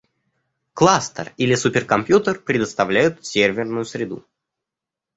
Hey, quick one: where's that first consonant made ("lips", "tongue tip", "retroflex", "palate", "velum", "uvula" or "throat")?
velum